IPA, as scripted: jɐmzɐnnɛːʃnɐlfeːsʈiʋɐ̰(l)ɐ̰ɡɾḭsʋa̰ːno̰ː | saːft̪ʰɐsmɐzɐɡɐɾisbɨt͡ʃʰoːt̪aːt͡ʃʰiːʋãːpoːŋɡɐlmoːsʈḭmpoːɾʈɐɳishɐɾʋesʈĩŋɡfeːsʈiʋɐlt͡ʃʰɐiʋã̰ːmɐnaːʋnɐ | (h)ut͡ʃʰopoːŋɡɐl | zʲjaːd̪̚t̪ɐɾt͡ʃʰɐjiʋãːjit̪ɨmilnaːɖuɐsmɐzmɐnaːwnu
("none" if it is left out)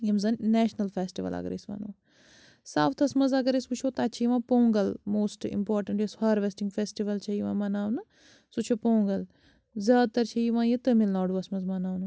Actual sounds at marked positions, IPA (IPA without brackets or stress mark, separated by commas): l, s